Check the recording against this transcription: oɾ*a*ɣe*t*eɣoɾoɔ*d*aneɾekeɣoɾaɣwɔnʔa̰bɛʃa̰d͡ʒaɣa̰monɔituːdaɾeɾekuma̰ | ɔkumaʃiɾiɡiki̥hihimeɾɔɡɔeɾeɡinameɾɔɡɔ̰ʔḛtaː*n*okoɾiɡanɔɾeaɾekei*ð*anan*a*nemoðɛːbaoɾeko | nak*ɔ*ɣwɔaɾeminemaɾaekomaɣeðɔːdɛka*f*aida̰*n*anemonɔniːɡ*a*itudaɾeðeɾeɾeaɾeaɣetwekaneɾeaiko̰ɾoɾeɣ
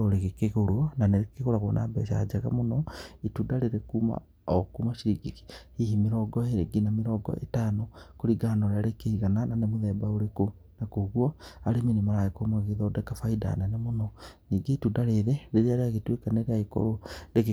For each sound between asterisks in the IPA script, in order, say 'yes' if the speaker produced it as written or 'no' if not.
no, no, no, yes, no, yes, no, yes, yes, no

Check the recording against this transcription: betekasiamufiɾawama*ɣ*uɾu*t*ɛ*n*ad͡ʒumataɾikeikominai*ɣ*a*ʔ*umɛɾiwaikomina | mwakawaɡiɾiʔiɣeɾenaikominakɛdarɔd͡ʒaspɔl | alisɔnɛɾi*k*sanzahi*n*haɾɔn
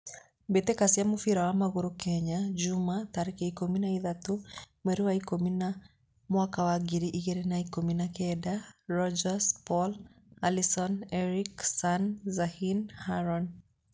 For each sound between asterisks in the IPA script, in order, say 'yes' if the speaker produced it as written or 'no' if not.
yes, no, no, no, no, yes, yes

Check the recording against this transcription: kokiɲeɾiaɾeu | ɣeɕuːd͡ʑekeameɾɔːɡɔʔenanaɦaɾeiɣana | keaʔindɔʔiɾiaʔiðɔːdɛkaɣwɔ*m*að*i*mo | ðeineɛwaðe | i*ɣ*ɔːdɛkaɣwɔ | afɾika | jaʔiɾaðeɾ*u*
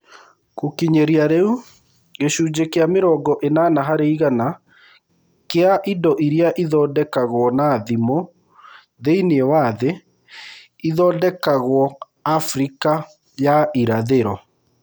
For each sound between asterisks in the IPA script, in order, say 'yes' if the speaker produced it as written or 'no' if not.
no, yes, no, no

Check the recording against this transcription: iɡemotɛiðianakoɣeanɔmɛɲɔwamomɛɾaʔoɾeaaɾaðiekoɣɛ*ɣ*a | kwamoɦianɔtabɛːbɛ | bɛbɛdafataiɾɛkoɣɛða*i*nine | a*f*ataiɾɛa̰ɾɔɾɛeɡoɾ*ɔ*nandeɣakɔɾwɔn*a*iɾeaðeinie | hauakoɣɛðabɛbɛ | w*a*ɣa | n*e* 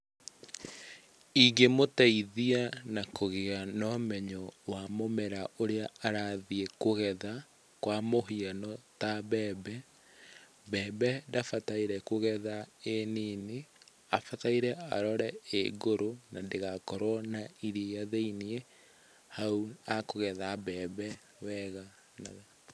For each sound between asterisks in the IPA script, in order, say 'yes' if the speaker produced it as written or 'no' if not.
no, no, yes, no, yes, no, no

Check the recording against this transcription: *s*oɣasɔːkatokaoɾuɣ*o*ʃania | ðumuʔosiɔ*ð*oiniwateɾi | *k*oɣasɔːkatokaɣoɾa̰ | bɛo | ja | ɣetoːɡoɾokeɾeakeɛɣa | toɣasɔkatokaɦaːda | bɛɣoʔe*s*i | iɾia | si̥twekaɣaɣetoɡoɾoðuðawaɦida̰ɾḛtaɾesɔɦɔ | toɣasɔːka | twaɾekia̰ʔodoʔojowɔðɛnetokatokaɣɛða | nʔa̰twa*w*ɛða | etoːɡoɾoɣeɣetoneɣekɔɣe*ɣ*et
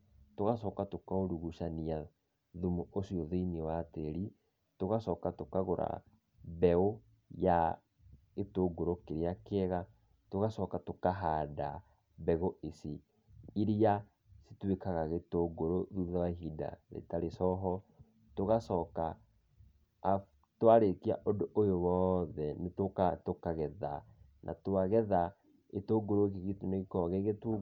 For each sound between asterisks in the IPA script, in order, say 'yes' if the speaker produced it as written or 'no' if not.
no, no, yes, no, yes, no, yes

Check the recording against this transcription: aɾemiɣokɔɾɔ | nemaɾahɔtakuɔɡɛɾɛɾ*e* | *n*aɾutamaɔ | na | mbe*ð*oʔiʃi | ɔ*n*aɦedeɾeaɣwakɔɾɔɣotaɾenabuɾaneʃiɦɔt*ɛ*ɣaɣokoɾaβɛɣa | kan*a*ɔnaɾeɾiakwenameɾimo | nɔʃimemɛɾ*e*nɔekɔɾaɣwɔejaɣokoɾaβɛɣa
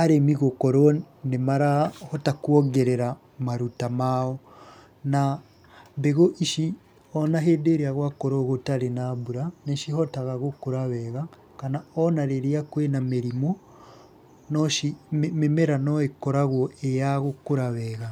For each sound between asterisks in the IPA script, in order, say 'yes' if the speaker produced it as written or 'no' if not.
no, no, no, yes, no, yes, no

